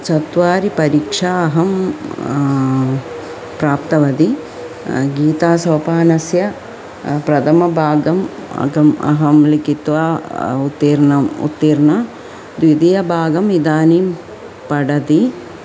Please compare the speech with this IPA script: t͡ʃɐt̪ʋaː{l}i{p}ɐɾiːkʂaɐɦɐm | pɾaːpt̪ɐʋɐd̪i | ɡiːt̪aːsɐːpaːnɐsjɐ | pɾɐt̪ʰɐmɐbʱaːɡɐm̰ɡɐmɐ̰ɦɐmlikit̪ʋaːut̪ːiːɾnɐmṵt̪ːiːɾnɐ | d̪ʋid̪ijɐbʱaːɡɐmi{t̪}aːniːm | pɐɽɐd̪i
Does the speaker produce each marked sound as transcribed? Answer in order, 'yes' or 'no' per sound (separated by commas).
no, yes, no